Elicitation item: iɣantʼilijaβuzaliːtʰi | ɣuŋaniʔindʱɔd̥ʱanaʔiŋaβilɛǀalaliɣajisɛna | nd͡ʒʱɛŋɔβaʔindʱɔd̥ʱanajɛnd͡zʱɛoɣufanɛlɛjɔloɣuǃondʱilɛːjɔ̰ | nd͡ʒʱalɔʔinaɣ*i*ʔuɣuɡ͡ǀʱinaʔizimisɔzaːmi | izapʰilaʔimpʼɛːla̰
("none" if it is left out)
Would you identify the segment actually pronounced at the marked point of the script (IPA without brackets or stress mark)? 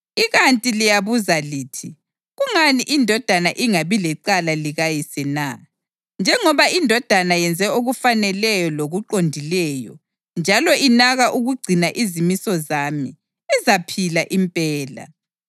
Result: a